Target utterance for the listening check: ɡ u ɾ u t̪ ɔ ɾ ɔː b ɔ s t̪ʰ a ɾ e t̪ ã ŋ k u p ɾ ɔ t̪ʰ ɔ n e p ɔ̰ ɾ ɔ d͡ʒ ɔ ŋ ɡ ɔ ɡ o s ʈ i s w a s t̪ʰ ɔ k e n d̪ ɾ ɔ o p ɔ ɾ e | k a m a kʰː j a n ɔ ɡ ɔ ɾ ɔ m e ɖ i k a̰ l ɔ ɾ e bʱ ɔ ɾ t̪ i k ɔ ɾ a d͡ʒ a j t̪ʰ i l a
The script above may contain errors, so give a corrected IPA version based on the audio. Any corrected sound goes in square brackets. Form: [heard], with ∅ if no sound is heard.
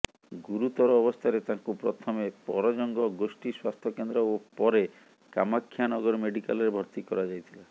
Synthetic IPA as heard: ɡ u ɾ u t̪ ɔ ɾ ɔː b ɔ s t̪ʰ a ɾ e t̪ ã ŋ k u p ɾ ɔ t̪ʰ ɔ [m] e p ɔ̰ ɾ ɔ d͡ʒ ɔ ŋ ɡ ɔ ɡ o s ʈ i s w a s t̪ʰ ɔ k e n d̪ ɾ ɔ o p ɔ ɾ e | k a m a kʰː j a n ɔ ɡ ɔ ɾ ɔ m e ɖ i k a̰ l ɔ ɾ e bʱ ɔ ɾ t̪ i k ɔ ɾ a d͡ʒ a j t̪ʰ i l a